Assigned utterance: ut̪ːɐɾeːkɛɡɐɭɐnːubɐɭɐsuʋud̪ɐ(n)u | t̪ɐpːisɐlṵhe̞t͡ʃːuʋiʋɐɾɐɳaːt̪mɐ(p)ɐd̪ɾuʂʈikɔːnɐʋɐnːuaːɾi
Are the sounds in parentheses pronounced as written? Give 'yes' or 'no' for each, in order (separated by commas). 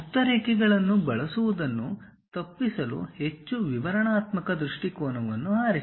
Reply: no, no